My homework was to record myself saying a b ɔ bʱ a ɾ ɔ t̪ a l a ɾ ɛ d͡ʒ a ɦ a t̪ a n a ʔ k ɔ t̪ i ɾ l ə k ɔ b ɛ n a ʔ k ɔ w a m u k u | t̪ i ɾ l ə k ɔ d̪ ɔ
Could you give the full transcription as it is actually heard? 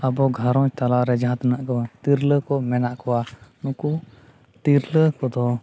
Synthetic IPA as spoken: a b ɔ ɡʱ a ɾ ɔ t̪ a l a ɾ ɛ d͡ʒ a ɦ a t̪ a n a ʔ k ɔ t̪ i ɾ l ə k ɔ m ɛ n a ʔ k ɔ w a n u k u | t̪ i ɾ l ə k ɔ d̪ ɔ